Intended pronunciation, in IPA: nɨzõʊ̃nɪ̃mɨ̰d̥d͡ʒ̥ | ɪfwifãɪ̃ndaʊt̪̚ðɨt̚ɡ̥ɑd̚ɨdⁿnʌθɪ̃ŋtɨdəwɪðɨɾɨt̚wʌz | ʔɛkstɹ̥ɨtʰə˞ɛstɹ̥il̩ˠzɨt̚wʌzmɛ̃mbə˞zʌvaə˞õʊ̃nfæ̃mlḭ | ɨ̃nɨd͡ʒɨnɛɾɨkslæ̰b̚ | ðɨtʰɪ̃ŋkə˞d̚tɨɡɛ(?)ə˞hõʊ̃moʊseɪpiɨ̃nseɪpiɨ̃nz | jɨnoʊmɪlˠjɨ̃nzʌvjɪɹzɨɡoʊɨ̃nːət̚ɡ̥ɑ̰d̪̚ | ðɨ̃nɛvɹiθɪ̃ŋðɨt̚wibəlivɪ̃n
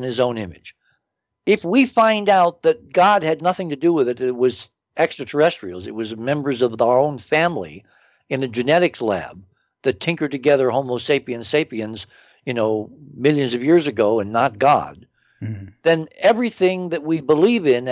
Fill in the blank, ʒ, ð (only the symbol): ð